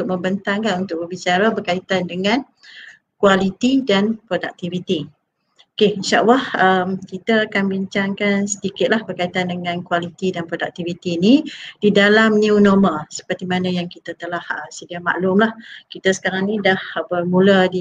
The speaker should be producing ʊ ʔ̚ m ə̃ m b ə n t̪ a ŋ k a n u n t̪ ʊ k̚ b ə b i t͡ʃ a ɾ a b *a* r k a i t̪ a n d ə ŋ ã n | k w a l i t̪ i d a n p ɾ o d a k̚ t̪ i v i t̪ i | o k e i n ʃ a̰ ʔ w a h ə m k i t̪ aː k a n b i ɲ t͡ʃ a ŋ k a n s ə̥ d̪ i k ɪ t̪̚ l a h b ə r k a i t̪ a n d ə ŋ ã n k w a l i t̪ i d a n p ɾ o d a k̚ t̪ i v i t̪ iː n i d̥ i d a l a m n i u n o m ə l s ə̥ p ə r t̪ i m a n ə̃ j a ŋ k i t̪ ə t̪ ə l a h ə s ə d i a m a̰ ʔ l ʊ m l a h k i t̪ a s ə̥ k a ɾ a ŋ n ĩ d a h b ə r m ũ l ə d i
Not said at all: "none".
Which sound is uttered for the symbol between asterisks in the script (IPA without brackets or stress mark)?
ə